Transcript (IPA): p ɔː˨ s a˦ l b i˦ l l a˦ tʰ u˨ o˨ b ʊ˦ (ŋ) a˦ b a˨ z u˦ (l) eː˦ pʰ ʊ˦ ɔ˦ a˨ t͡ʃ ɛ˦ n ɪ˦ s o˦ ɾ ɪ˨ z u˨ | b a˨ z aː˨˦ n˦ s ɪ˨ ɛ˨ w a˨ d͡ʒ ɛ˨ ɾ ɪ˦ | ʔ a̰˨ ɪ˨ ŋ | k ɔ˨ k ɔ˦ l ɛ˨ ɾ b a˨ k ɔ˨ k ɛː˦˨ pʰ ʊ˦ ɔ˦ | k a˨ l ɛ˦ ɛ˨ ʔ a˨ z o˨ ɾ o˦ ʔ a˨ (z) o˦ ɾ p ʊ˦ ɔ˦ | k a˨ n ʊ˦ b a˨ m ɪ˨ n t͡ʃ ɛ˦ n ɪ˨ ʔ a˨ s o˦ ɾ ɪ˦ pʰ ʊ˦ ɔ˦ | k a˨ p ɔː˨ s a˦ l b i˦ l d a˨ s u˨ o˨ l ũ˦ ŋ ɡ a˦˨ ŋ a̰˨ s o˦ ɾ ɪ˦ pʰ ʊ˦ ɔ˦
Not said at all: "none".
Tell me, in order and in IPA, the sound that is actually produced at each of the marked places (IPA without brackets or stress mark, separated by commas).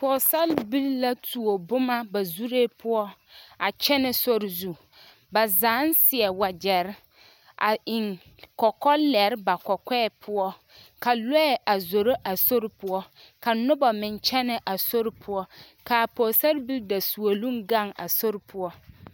m, ɾ, s